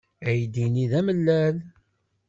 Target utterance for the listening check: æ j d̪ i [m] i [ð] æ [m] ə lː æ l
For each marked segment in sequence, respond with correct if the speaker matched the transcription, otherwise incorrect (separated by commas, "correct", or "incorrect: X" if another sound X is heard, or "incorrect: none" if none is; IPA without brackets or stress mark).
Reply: incorrect: n, correct, correct